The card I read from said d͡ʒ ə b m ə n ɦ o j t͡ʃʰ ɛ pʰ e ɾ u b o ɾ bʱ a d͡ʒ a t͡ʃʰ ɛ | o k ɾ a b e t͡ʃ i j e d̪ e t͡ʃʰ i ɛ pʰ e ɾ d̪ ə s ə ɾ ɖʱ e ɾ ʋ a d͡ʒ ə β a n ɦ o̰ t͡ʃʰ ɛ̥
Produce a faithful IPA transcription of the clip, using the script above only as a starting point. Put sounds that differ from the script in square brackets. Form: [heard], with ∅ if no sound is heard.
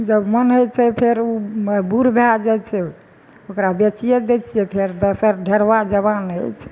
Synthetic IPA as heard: d͡ʒ ə b m ə n ɦ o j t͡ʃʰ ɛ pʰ e ɾ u b [u] ɾ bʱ a d͡ʒ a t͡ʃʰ ɛ | o k ɾ a b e t͡ʃ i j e d̪ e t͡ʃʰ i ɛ pʰ e ɾ d̪ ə s ə ɾ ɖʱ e ɾ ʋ a d͡ʒ ə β a n ɦ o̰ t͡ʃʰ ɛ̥